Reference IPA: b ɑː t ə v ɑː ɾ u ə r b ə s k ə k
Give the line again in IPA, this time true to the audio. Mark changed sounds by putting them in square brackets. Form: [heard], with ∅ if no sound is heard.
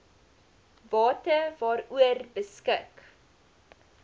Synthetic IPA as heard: [v] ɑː t ə v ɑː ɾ u ə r b ə s k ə k